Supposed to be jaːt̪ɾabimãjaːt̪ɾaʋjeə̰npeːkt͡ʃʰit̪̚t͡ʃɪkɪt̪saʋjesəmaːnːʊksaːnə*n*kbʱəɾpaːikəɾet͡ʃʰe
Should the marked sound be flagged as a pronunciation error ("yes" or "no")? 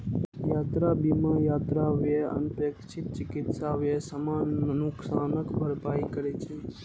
yes